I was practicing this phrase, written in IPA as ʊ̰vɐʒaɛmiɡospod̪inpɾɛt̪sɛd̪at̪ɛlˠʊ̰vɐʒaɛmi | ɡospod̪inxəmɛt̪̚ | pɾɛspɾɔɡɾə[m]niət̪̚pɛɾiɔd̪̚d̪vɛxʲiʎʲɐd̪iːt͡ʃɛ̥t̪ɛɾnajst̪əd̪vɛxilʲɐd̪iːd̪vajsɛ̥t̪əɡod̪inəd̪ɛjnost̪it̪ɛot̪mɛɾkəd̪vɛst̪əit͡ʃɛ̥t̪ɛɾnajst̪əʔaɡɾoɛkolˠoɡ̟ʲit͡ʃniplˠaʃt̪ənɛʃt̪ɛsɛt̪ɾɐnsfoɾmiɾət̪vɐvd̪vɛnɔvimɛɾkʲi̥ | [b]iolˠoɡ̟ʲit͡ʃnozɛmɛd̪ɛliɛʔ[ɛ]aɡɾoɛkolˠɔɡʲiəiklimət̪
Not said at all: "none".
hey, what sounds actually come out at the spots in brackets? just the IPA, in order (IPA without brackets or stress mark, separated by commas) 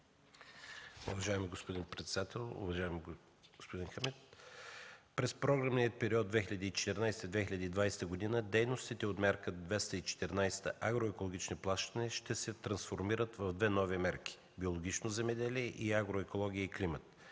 m, b, i